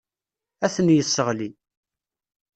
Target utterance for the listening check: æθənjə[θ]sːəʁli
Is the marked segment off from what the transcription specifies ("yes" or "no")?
yes